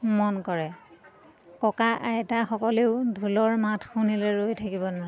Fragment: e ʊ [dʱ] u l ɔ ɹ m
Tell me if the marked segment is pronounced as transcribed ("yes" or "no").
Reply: yes